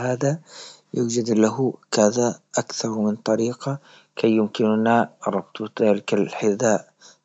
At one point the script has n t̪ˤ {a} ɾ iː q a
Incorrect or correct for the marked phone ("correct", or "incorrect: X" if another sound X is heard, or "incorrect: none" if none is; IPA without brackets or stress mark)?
incorrect: ɑ